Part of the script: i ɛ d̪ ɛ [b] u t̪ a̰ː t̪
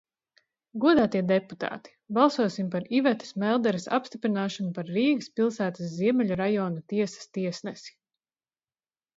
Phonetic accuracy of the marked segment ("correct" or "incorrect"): incorrect